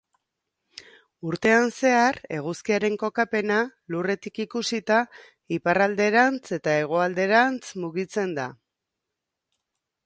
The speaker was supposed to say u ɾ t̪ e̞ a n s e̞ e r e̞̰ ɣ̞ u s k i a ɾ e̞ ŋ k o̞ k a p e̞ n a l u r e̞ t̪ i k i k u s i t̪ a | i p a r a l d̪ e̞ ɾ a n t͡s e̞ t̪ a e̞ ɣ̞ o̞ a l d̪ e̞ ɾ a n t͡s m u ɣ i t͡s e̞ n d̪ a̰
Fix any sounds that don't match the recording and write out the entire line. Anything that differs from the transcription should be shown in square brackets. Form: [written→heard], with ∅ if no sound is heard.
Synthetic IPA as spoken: u ɾ t̪ e̞ a n s e̞ [e→a] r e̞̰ ɣ̞ u s k i a ɾ e̞ ŋ k o̞ k a p e̞ n a l u r e̞ t̪ i k i k u s i t̪ a | i p a r a l d̪ e̞ ɾ a n t͡s e̞ t̪ a e̞ ɣ̞ o̞ a l d̪ e̞ ɾ a n t͡s m u ɣ i t͡s e̞ n d̪ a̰